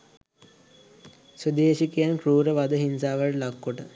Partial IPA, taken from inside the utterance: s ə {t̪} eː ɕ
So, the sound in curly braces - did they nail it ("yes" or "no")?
no